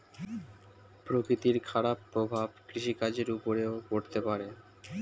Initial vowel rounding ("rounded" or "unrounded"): rounded